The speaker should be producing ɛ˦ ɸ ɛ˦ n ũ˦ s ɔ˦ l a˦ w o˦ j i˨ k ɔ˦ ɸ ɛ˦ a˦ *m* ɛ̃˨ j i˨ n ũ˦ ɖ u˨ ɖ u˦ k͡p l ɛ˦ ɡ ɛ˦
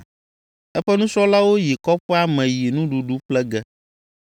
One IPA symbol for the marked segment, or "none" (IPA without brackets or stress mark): m